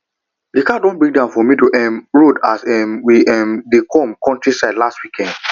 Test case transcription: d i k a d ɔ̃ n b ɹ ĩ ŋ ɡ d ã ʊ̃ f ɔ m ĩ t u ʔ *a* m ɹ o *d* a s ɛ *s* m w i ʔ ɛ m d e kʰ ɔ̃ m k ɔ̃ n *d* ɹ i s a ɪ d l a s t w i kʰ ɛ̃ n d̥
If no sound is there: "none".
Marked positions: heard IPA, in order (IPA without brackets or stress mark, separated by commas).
ɛ, d, none, t